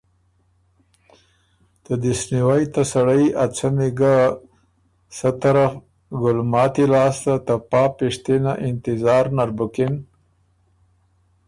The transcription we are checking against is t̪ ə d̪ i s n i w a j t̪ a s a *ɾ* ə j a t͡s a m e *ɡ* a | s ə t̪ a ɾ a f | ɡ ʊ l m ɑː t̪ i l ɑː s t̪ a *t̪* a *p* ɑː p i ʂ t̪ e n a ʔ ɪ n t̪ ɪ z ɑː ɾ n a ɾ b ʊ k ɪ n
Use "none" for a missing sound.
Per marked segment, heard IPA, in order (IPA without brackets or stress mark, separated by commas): ɽ, ɡ, t̪, p